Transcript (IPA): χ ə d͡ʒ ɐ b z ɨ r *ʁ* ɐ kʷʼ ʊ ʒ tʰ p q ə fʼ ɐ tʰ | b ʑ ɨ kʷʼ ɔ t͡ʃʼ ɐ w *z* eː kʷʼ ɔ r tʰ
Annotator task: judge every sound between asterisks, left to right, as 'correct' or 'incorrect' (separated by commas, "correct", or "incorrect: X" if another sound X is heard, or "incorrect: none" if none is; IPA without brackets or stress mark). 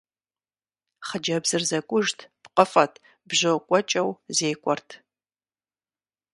incorrect: z, correct